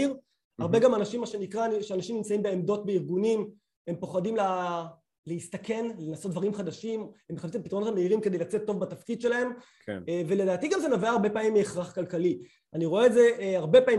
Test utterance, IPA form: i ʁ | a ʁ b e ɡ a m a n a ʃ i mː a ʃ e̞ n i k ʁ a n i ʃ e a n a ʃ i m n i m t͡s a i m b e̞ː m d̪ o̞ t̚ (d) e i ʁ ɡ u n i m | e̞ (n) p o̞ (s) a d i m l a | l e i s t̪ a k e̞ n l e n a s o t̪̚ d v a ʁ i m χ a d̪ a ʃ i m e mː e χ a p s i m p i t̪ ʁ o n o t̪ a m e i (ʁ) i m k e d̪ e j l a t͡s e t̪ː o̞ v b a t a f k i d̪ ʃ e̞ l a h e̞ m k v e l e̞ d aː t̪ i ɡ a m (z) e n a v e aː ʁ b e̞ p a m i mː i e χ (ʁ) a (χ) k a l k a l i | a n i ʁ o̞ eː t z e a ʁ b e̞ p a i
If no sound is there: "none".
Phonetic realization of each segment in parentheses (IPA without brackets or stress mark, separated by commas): b, m, χ, ʁ, z, ʁ, χ